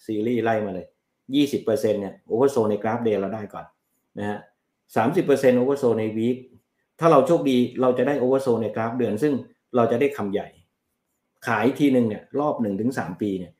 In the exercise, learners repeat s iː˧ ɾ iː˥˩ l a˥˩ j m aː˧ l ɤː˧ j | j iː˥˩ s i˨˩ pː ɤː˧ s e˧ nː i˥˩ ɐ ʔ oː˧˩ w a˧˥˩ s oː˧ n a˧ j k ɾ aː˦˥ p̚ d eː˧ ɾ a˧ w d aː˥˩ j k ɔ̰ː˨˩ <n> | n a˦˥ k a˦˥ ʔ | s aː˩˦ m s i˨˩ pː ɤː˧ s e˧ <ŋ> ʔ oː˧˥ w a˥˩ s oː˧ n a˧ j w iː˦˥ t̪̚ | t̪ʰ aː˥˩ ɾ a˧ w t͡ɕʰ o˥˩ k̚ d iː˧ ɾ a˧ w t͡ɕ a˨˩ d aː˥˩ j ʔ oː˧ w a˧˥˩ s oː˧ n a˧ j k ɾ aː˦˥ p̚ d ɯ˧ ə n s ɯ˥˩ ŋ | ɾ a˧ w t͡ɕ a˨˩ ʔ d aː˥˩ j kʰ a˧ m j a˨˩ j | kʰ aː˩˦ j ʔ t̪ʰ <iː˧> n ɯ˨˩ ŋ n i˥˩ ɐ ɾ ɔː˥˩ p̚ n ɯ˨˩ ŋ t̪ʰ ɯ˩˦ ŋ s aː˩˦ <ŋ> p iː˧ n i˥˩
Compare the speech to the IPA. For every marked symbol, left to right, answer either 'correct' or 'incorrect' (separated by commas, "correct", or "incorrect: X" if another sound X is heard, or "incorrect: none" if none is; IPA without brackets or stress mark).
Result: correct, incorrect: n, correct, incorrect: m